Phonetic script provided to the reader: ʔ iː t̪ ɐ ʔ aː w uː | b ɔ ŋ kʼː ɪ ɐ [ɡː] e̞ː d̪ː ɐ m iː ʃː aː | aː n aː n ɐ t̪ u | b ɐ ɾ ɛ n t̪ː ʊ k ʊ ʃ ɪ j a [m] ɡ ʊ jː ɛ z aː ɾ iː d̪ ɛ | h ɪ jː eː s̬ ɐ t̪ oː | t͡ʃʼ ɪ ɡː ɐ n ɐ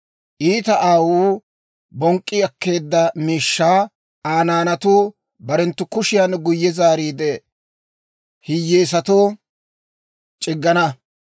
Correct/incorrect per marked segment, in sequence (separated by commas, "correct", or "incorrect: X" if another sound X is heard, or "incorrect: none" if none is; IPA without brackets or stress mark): incorrect: kː, incorrect: n